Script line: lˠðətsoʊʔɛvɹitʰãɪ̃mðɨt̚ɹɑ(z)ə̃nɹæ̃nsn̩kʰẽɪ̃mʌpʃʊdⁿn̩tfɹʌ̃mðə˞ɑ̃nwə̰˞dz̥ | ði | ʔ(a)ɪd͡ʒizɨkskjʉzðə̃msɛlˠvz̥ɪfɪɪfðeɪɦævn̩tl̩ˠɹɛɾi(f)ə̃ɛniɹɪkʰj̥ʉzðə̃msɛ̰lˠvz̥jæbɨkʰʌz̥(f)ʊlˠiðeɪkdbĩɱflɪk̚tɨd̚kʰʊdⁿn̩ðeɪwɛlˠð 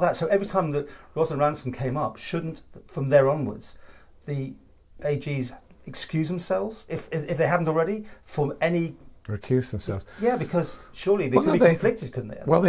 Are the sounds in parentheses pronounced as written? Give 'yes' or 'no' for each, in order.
yes, no, yes, no

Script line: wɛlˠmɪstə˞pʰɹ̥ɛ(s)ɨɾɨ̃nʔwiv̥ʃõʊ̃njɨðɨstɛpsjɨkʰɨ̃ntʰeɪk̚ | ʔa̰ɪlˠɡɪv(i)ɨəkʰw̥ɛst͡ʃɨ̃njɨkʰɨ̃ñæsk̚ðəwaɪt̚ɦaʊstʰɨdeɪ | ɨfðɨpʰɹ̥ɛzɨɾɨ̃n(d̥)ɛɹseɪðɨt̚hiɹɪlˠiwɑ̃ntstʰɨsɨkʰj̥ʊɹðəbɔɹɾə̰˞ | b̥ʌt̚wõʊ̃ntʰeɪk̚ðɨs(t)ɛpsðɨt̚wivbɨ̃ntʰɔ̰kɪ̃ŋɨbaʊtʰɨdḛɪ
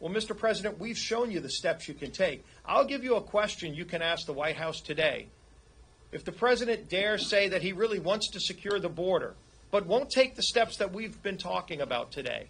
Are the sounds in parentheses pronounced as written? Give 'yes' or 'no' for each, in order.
no, no, yes, yes

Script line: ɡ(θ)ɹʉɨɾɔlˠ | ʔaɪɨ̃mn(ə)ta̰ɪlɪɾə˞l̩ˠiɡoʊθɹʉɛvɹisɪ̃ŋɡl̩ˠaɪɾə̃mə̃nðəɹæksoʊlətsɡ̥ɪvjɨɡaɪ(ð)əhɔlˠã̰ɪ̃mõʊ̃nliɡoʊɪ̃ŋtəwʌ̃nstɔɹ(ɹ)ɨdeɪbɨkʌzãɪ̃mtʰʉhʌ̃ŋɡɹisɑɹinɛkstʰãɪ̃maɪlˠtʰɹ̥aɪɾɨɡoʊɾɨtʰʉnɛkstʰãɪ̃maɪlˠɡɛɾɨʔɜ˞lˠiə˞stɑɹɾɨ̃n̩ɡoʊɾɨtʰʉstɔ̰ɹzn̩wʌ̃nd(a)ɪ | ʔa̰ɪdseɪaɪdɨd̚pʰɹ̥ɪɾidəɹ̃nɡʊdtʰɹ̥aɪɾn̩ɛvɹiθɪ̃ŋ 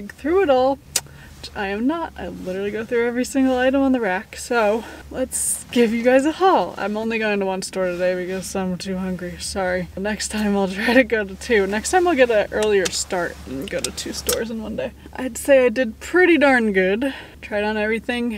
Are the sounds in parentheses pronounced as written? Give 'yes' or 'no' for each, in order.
yes, yes, no, no, no

